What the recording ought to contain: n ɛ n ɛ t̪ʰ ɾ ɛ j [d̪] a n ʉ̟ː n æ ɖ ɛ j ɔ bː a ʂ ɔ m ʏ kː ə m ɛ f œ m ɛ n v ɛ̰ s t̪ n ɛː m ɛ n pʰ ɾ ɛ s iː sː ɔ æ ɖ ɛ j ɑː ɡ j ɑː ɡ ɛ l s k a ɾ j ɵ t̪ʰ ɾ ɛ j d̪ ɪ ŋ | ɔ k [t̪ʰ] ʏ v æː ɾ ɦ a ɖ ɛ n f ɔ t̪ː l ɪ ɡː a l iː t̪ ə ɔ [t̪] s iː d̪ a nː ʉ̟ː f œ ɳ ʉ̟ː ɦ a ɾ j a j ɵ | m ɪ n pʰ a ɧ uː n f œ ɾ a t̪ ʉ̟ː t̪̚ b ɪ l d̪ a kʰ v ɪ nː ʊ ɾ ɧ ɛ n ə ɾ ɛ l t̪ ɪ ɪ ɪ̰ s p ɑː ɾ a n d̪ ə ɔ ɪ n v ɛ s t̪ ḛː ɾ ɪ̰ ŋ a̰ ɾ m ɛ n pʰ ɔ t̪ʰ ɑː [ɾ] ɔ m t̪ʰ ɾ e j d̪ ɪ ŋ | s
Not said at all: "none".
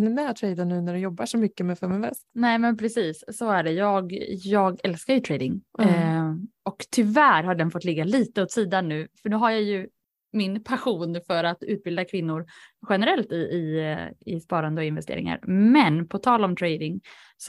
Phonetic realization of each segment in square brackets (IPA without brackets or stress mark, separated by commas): d̪, t̪ʰ, t̪, l